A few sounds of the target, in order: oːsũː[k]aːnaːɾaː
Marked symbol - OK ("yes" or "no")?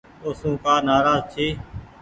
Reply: yes